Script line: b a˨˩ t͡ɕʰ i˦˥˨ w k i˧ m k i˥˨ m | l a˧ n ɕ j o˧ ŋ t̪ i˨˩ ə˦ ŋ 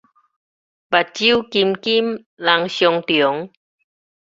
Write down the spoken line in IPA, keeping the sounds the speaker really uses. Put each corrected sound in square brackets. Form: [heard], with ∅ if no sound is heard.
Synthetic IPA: b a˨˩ [t͡ɕ] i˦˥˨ w k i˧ m k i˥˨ m | l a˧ [ŋ] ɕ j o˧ ŋ t̪ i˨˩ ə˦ ŋ

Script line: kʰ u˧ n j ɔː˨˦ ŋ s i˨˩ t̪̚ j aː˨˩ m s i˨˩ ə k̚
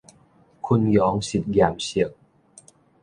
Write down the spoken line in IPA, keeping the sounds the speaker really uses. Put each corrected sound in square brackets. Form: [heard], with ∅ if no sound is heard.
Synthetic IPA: kʰ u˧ n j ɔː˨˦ ŋ s i˨˩ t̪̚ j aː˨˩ m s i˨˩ ə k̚

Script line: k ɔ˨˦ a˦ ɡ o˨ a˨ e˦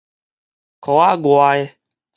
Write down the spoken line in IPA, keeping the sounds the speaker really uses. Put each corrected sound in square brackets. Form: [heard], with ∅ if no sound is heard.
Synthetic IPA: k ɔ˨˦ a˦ ɡ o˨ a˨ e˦

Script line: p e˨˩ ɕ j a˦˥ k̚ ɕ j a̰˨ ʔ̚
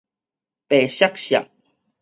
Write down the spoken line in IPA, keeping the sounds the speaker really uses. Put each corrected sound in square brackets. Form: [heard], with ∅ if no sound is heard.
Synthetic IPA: p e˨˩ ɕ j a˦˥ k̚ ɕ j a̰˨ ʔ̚

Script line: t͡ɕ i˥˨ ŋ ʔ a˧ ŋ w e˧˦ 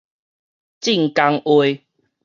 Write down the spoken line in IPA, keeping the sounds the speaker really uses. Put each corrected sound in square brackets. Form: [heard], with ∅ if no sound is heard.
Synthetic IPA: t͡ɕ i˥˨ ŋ [k] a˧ ŋ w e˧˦

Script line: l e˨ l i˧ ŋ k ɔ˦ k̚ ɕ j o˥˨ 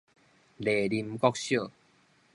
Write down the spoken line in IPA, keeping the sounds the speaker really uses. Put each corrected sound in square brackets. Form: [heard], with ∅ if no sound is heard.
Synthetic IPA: l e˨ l i˧ [m] k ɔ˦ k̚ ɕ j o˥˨

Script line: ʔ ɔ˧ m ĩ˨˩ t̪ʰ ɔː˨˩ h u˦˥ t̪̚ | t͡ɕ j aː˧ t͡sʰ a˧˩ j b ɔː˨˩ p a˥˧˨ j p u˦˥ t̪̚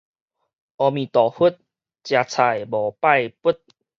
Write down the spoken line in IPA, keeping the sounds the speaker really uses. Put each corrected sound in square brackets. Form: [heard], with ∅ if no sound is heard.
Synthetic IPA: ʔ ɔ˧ m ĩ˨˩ [t̪] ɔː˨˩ h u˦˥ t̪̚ | t͡ɕ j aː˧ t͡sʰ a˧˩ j b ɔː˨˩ p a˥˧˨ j p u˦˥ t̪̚

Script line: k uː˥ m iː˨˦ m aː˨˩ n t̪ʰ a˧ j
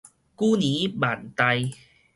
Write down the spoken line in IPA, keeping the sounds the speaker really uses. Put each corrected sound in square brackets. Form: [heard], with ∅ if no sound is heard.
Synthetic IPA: k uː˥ [n] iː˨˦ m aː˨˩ n [t̪] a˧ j

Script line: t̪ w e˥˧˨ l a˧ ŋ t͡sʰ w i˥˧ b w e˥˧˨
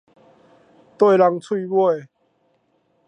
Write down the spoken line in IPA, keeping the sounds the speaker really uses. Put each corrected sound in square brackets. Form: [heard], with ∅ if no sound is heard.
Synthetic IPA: t̪ w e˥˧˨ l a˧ ŋ t͡sʰ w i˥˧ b w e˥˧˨

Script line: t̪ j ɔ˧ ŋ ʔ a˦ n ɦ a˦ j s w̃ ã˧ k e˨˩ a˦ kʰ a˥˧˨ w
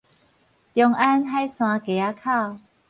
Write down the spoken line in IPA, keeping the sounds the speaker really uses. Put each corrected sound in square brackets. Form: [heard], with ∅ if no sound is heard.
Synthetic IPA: t̪ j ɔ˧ ŋ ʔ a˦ n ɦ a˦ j s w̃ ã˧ k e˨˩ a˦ kʰ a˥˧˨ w

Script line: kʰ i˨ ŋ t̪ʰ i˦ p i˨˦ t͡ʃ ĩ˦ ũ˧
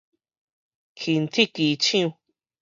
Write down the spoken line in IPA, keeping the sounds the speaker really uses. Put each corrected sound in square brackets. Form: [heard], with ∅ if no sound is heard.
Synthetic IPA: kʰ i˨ [n] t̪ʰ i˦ [k] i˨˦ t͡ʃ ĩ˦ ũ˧

